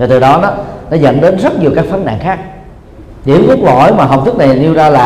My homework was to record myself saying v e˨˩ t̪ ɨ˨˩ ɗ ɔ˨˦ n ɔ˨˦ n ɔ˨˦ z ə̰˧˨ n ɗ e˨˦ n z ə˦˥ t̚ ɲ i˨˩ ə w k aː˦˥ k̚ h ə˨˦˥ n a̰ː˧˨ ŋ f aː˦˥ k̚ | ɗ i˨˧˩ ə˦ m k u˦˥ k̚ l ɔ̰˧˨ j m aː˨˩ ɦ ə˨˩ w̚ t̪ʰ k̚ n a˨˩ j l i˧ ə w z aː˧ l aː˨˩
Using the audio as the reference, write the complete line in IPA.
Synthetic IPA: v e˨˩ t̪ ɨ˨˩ ɗ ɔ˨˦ n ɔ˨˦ n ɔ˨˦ z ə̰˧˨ n ɗ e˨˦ n z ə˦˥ t̚ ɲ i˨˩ ə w k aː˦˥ k̚ f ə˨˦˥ n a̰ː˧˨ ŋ x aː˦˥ k̚ | ɗ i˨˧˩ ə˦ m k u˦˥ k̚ l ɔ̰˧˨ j m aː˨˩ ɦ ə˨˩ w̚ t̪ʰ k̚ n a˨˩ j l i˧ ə w z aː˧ l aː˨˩